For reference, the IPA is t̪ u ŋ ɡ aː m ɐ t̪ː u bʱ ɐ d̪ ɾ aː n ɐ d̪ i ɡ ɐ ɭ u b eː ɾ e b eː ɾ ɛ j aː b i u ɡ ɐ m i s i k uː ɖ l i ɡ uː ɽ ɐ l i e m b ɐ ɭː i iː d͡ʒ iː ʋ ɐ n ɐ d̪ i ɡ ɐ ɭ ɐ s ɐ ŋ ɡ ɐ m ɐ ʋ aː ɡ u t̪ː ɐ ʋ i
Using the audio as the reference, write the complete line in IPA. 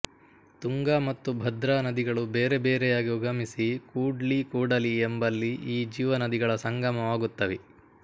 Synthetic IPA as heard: t̪ u ŋ ɡ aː m ɐ t̪ː u bʱ ɐ d̪ ɾ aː n ɐ d̪ i ɡ ɐ ɭ u b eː ɾ e b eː ɾ ɛ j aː ɡ i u ɡ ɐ m i s i k uː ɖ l i k uː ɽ ɐ l i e m b ɐ lː i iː d͡ʒ iː ʋ ɐ n ɐ d̪ i ɡ ɐ ɭ ɐ s ɐ ŋ ɡ ɐ m ɐ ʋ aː ɡ u t̪ː ɐ ʋ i

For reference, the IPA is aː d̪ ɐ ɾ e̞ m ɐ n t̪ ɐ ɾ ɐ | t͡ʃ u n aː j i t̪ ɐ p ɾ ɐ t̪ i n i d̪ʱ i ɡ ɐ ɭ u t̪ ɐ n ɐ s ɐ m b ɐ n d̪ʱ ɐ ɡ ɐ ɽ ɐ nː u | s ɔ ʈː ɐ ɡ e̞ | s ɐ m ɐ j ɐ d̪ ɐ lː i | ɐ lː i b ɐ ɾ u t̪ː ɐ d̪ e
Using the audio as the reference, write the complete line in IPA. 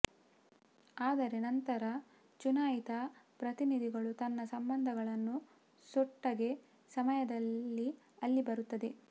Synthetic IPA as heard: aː d̪ ɐ ɾ e̞ n ɐ n t̪ ɐ ɾ ɐ | t͡ʃ u n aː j i t̪ ɐ p ɾ ɐ t̪ i n i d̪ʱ i ɡ ɐ ɭ u t̪ ɐ nː ɐ s ɐ m b ɐ n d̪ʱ ɐ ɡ ɐ ɭ ɐ nː u | s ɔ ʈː ɐ ɡ e̞ | s ɐ m ɐ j ɐ d̪ ɐ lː i | ɐ lː i b ɐ ɾ u t̪ː ɐ d̪ e

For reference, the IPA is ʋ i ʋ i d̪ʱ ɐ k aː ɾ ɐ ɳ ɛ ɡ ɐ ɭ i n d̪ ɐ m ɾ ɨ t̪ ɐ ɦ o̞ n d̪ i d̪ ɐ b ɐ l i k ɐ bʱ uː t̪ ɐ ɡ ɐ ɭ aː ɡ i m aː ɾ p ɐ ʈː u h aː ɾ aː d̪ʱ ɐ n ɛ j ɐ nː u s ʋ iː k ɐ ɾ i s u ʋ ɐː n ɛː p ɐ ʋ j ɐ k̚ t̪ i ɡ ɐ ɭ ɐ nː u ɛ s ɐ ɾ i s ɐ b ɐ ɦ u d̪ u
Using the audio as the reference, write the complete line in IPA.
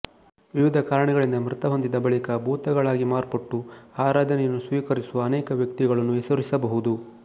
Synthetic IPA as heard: ʋ i ʋ i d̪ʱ ɐ k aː ɾ ɐ ɳ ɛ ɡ ɐ ɭ i n d̪ ɐ m ɾ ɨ t̪ ɐ ɦ o̞ n d̪ i d̪ ɐ b ɐ ɭ i k ɐ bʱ uː t̪ ɐ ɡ ɐ ɭ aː ɡ i m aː ɾ p ɐ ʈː u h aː ɾ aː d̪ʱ ɐ n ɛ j ɐ nː u s ʋ iː k ɐ ɾ i s u ʋ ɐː n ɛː k ɐ ʋ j ɐ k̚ t̪ i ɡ ɐ ɭ ɐ nː u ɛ s ɐ ɾ i s ɐ b ɐ ɦ u d̪ u

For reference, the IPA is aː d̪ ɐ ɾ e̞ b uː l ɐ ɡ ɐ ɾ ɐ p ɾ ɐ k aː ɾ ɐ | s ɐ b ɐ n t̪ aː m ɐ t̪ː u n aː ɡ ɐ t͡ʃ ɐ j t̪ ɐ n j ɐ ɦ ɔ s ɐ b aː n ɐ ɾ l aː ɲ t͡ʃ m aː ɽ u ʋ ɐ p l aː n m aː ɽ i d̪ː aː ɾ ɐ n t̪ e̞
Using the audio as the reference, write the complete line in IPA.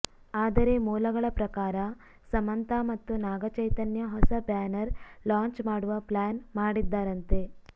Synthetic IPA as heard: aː d̪ ɐ ɾ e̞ m uː l ɐ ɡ ɐ ɭ ɐ p ɾ ɐ k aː ɾ ɐ | s ɐ m ɐ n t̪ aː m ɐ t̪ː u n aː ɡ ɐ t͡ʃ ɐ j t̪ ɐ n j ɐ ɦ ɔ s ɐ b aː n ɐ ɾ l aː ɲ t͡ʃ m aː ɽ u ʋ ɐ p l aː n m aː ɽ i d̪ː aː ɾ ɐ n t̪ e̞

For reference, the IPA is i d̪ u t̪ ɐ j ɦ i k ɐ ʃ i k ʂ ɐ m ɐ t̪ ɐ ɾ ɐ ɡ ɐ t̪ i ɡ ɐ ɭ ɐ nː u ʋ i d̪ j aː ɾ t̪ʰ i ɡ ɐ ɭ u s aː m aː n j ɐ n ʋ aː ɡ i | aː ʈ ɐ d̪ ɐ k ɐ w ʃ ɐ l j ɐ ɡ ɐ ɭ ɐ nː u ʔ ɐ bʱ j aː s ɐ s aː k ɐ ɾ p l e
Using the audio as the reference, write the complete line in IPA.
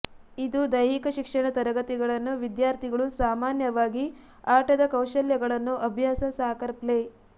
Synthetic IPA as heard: i d̪ u d̪ ɐ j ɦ i k ɐ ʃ i k ʂ ɐ ɳ ɐ t̪ ɐ ɾ ɐ ɡ ɐ t̪ i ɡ ɐ ɭ ɐ nː u ʋ i d̪ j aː ɾ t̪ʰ i ɡ ɐ ɭ u s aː m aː n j ɐ ʋ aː ɡ i | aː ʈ ɐ d̪ ɐ k ɐ w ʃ ɐ l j ɐ ɡ ɐ ɭ ɐ nː u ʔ ɐ bʱ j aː s ɐ s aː k ɐ ɾ p l e

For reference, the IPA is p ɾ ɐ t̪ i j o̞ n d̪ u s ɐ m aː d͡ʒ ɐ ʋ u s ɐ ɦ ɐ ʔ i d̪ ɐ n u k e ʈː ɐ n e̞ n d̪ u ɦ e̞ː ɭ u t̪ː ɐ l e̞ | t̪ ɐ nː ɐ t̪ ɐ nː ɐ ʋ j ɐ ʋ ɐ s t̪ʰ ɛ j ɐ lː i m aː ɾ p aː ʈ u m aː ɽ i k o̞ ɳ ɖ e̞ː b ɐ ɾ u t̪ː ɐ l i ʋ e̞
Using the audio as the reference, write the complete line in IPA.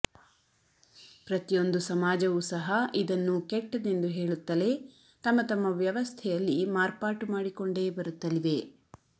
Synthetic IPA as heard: p ɾ ɐ t̪ i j o̞ n d̪ u s ɐ m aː d͡ʒ ɐ ʋ u s ɐ ɦ ɐ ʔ i d̪ ɐ nː u k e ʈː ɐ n e̞ n d̪ u ɦ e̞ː ɭ u t̪ː ɐ l e̞ | t̪ ɐ mː ɐ t̪ ɐ mː ɐ ʋ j ɐ ʋ ɐ s t̪ʰ ɛ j ɐ lː i m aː ɾ p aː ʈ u m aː ɽ i k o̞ ɳ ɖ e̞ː b ɐ ɾ u t̪ː ɐ l i ʋ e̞

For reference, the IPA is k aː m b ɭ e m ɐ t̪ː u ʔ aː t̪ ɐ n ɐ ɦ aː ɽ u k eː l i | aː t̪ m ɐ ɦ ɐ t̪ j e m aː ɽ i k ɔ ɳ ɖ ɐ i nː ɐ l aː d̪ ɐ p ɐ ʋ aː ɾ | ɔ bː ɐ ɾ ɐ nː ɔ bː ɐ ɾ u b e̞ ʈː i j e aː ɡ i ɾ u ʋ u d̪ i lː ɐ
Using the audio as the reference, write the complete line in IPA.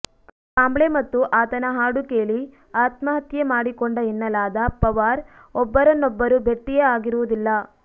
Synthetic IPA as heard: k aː m b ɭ e m ɐ t̪ː u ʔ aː t̪ ɐ n ɐ ɦ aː ɽ u k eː l i | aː t̪ m ɐ ɦ ɐ t̪ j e m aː ɽ i k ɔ ɳ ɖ ɐ i nː ɐ l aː d̪ ɐ p ɐ ʋ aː ɾ | ɔ bː ɐ ɾ ɐ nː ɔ bː ɐ ɾ u b e̞ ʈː i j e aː ɡ i ɾ u ʋ u d̪ i lː ɐ

